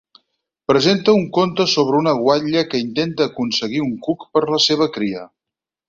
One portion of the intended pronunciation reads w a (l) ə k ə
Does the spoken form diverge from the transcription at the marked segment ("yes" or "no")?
yes